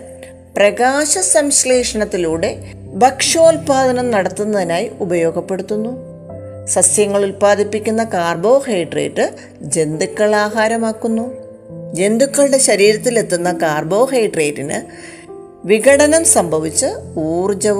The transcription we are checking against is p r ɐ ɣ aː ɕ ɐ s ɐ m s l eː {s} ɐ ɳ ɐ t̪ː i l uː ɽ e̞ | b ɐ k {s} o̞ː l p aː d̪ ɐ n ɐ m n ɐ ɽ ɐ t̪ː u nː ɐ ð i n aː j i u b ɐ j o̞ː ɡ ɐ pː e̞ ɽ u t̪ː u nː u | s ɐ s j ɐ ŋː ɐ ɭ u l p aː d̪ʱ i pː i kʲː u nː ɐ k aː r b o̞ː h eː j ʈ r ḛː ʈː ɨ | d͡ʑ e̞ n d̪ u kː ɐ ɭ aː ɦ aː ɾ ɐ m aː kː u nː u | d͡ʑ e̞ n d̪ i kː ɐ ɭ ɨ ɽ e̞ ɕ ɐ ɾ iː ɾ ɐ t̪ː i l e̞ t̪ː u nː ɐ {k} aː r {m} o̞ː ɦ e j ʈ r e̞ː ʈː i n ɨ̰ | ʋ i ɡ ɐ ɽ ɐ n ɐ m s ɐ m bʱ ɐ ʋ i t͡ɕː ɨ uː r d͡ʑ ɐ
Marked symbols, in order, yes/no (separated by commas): no, no, yes, no